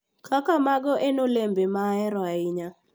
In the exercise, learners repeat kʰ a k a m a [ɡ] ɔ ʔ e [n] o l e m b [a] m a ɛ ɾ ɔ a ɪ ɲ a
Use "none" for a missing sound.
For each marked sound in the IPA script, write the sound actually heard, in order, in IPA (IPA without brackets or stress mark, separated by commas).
ɡ, n, e